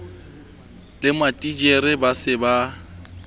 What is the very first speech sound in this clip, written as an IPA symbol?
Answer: l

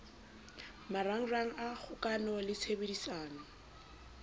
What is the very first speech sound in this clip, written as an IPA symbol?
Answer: m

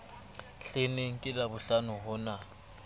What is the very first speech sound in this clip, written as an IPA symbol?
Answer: ɬ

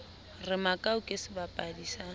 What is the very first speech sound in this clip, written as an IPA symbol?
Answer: r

